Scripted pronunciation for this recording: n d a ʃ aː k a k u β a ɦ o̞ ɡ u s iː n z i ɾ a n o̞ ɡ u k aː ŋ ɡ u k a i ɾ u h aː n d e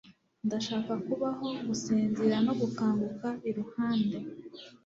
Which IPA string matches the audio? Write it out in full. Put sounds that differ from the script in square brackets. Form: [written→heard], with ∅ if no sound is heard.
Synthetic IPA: n d a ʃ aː k a k u β a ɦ o̞ ɡ u s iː n z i ɾ a n o̞ ɡ u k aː ŋ ɡ u k a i ɾ u h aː n d e